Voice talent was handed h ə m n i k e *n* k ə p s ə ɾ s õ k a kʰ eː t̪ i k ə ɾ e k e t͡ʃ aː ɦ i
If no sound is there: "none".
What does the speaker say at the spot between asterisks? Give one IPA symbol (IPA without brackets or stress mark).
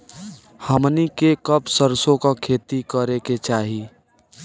none